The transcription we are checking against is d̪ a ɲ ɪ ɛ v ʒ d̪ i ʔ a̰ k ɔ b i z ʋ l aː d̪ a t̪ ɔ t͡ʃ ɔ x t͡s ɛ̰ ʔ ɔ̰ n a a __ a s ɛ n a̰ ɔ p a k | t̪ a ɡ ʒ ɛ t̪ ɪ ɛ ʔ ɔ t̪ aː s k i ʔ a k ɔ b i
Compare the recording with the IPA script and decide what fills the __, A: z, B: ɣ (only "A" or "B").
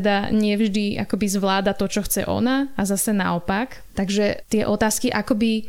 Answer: A